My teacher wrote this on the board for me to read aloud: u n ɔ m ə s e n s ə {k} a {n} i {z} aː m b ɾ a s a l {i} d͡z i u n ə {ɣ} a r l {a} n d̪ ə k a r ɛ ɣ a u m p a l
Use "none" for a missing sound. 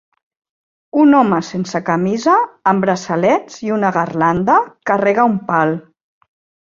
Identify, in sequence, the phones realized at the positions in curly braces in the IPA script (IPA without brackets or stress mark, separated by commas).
k, m, z, ɛ, ɣ, a